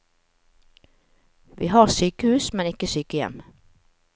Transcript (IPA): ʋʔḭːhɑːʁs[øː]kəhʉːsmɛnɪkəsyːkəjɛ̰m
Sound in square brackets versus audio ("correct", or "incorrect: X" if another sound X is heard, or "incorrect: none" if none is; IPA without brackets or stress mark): incorrect: yː